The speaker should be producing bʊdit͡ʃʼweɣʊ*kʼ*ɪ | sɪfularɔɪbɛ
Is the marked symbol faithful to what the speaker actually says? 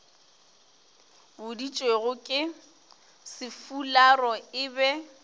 yes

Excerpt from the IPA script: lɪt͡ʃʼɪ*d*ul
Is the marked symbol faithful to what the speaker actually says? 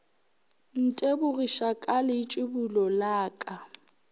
no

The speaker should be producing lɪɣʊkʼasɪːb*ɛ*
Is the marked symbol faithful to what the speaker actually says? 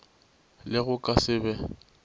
yes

